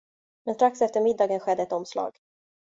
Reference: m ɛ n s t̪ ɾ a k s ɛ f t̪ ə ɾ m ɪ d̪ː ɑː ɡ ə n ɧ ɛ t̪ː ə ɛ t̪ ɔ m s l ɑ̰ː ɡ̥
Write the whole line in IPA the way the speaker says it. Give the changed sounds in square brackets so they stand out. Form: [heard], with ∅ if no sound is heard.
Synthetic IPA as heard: m ɛ n s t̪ ɾ a k s ɛ f t̪ ə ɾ m ɪ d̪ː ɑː ɡ ə n ɧ ɛ [d̪ː] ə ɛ t̪ ɔ m s l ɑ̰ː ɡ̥